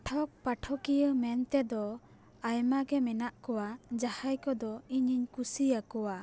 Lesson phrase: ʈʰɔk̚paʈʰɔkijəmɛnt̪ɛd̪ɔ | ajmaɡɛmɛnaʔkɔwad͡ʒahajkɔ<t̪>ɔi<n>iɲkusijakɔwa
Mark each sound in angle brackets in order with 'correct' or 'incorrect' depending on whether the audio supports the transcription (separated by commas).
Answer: incorrect, incorrect